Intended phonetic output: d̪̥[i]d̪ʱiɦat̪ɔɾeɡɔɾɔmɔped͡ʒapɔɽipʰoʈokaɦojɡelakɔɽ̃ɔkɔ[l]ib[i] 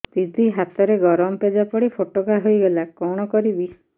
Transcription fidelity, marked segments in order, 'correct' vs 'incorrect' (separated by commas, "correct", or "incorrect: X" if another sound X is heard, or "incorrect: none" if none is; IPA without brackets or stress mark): correct, incorrect: ɾ, correct